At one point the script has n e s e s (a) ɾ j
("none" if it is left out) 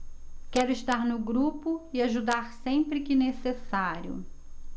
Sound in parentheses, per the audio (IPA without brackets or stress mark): a